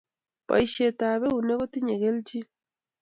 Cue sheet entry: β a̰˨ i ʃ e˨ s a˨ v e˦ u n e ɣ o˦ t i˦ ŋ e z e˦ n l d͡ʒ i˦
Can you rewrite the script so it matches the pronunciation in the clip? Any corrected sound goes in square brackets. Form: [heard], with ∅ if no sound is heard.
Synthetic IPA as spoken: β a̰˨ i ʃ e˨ [t] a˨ [β] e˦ u n e ɣ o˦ t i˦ [ɲ] e [ɣ] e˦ [∅] l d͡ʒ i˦

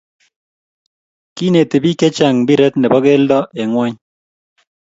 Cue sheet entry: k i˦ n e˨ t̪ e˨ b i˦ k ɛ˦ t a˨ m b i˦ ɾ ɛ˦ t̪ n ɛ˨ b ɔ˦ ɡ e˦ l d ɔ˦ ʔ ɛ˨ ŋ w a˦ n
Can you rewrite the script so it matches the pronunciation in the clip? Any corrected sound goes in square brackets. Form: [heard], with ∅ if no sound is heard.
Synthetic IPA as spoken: k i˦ n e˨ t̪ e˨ b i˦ k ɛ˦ [t͡ʃ] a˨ [ŋ] b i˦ ɾ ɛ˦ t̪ n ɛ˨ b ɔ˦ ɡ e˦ l d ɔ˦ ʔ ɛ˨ ŋ w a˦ [ɲ]

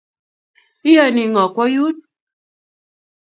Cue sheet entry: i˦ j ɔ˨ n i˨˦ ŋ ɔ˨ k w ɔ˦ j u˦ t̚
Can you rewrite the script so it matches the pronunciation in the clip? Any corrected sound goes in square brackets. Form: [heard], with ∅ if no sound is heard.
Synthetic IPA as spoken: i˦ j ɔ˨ n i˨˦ ŋ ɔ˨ k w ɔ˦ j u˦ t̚

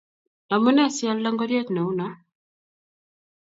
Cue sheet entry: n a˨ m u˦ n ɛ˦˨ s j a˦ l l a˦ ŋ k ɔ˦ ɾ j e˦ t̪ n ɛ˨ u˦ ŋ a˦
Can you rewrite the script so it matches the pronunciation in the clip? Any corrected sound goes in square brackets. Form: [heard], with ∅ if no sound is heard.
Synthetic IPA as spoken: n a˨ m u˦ n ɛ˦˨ s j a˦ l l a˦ ŋ [ɡ] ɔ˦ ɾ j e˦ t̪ n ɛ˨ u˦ [n] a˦

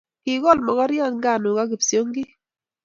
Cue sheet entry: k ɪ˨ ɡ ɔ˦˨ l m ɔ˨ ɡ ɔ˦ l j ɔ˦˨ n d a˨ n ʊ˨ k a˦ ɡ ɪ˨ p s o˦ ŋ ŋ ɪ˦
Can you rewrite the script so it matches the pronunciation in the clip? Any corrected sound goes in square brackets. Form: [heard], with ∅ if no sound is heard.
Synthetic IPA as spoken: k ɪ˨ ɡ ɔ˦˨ l m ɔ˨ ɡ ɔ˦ [ɾ] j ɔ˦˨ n [ɡ] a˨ n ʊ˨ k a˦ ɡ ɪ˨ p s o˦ ŋ [ɡ] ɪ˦

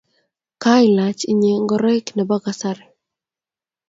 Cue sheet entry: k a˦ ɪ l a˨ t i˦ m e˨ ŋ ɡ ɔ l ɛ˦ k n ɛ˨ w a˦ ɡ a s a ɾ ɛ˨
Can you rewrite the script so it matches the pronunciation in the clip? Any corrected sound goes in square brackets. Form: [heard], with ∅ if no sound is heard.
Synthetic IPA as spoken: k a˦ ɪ l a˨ [t͡ʃ] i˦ [ɲ] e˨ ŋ ɡ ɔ [ɾ] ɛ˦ k n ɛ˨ [b] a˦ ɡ a s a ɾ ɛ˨

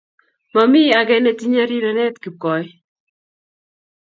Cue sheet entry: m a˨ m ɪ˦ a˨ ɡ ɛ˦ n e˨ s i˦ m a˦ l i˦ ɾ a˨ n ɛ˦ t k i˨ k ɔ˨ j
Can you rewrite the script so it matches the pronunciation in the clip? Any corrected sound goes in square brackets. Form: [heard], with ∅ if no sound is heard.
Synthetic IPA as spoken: m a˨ m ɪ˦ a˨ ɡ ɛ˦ n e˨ [t] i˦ [ɲ] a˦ [ɾ] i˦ ɾ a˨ n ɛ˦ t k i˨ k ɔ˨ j

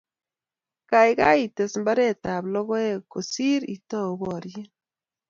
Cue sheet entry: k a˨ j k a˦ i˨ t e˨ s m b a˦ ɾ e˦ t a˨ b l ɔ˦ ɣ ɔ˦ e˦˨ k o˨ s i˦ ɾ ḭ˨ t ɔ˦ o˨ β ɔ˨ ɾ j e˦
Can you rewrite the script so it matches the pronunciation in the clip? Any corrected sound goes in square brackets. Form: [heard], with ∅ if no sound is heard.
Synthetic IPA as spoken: k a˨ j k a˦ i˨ t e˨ s m b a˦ ɾ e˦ t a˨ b l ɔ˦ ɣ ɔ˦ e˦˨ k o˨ s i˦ ɾ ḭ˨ t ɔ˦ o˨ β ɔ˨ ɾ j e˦

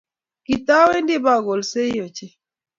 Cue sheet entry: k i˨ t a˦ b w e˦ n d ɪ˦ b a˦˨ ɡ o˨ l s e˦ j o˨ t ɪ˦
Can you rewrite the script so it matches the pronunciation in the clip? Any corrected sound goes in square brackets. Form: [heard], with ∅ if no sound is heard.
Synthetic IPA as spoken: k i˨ t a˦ [∅] w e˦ n d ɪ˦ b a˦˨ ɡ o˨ l s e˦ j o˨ [t͡ʃ] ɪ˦

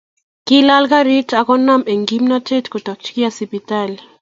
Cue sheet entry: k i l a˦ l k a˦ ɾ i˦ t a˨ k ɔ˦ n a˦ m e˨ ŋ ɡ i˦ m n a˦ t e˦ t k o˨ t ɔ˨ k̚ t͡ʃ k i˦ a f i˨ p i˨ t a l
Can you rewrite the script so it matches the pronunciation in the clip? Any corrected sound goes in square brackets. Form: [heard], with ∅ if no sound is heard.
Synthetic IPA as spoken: k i l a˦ l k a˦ ɾ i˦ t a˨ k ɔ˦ n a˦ m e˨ ŋ ɡ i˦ m n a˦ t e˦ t k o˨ t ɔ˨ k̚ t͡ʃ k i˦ a [s] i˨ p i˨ t a l

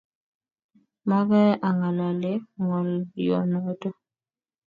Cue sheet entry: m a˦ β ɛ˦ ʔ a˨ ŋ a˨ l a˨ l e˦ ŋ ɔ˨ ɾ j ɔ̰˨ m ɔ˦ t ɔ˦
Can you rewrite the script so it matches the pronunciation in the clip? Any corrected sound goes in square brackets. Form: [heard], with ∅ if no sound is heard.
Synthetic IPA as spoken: m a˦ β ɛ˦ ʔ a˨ ŋ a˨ l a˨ l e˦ ŋ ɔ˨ [l] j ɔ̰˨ [n] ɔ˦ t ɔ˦

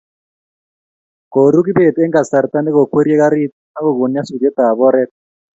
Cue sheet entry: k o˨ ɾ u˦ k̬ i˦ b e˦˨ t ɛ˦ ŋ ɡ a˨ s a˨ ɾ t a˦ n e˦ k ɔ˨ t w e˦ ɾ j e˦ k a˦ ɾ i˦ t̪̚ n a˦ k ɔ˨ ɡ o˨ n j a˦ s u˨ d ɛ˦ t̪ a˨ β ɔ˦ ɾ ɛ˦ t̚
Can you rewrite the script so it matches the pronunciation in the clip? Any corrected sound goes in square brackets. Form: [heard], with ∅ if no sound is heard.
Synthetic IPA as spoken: k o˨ ɾ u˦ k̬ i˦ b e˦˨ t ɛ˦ ŋ ɡ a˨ s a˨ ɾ t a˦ n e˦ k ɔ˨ [k] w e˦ ɾ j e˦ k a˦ ɾ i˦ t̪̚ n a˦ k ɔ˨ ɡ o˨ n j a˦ s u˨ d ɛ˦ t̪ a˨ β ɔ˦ ɾ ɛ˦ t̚

